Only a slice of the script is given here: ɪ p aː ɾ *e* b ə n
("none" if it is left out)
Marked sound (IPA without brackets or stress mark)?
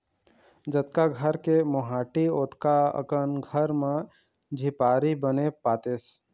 i